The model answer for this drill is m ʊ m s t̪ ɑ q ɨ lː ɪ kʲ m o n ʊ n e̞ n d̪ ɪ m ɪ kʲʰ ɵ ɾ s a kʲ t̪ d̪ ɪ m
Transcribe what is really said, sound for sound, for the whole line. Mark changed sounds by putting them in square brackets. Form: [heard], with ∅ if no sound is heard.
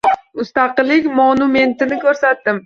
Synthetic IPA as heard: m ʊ [∅] s t̪ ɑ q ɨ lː ɪ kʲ m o n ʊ [m] e̞ n [t̪] ɪ [n] ɪ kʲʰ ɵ ɾ s a [∅] t̪ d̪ ɪ m